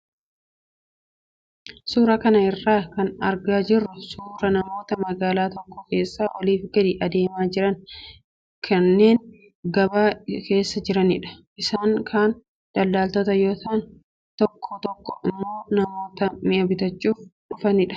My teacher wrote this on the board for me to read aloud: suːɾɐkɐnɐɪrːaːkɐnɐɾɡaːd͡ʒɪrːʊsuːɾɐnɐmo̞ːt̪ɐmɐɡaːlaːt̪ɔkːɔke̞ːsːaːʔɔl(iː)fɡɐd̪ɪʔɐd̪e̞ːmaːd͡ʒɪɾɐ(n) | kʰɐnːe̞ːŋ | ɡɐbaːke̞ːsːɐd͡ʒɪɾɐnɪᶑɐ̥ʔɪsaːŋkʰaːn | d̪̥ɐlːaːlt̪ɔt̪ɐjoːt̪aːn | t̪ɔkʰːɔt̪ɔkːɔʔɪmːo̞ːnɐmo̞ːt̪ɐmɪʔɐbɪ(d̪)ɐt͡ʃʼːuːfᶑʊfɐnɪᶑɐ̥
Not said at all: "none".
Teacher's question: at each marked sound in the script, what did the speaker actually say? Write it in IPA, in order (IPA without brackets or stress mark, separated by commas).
iː, n, t̪